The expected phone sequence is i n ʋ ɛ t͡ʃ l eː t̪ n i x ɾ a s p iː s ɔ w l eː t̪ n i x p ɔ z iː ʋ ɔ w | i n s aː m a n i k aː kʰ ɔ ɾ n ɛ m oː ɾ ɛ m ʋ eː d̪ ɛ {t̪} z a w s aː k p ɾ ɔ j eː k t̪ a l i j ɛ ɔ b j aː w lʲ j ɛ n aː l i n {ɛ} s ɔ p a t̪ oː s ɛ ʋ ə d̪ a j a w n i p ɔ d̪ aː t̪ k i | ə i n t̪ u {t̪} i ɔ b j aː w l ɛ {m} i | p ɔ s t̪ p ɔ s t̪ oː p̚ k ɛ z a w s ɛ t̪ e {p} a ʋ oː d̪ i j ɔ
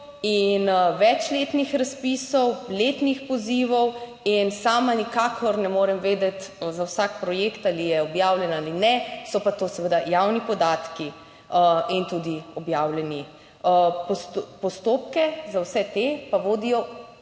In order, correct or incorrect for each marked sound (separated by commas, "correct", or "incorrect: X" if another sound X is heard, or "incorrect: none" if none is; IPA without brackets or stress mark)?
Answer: correct, correct, incorrect: d̪, incorrect: n, correct